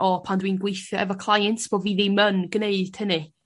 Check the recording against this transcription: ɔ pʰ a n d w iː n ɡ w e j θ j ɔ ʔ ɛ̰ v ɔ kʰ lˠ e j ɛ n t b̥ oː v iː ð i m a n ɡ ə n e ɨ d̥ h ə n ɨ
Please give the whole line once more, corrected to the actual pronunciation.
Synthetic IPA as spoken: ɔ pʰ a n d w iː n ɡ w e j θ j ɔ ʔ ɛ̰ v ɔ kʰ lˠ a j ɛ n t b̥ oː v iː ð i m ə n ɡ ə n e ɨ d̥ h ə n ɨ

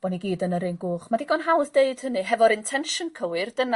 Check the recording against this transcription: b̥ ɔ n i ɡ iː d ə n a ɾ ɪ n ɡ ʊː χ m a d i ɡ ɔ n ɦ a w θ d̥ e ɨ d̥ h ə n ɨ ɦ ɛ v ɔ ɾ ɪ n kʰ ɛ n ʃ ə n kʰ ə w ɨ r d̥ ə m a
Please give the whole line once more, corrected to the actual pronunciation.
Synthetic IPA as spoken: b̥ ɔ n i ɡ iː d ə n ə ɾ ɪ n ɡ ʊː χ m a d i ɡ ɔ n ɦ a w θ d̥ e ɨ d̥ h ə n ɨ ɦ ɛ v ɔ ɾ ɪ n tʰ ɛ n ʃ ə n kʰ ə w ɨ r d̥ ə n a

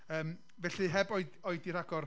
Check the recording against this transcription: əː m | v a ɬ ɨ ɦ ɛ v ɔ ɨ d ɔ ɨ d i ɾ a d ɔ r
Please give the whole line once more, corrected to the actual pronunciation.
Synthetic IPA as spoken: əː m | v ɛ ɬ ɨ ɦ ɛ b ɔ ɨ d ɔ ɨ d i ɾ a ɡ ɔ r

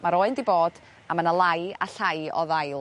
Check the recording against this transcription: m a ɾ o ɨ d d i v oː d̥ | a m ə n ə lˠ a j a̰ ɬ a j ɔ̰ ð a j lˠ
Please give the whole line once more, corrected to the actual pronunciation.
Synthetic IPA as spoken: m a ɾ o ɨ n d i b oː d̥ | a m ə n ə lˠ a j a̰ ɬ a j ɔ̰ ð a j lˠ

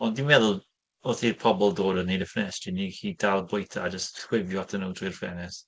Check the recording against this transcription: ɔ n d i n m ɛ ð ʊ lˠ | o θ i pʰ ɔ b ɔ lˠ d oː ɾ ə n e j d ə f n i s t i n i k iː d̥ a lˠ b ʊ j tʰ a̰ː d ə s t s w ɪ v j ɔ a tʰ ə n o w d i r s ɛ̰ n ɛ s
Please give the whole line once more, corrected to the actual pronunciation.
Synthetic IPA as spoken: ɔ n d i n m ɛ ð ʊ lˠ | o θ i pʰ ɔ b ɔ lˠ d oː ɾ ə n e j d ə f n ɛ s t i n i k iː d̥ a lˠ b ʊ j tʰ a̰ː d͡ʒ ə s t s w ɪ v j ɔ a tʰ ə n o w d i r f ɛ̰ n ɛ s

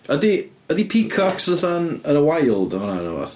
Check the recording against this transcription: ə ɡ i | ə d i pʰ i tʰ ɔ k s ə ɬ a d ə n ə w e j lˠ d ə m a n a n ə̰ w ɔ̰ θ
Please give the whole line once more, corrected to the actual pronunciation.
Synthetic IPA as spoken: ə d i | ə d i pʰ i kʰ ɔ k s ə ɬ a n ə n ə w a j lˠ d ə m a n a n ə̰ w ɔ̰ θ

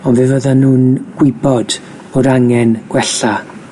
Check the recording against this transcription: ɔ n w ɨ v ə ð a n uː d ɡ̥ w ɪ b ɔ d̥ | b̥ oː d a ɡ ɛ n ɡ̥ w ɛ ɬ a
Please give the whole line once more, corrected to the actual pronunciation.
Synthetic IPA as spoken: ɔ n v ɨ v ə ð a n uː n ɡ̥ w ɪ b ɔ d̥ | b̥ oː d a ŋ ɛ n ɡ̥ w ɛ ɬ a

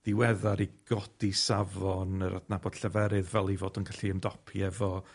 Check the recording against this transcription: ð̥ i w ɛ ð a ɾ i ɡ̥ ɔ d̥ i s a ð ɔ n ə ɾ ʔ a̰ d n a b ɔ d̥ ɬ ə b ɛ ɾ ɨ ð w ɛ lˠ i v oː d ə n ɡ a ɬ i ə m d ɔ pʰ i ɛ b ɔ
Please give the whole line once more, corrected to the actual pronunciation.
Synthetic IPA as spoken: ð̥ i w ɛ ð a ɾ i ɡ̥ ɔ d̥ i s a v ɔ n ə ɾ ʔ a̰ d n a b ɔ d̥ ɬ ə v ɛ ɾ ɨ ð v ɛ lˠ i v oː d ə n ɡ a ɬ i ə m d ɔ pʰ i ɛ v ɔ

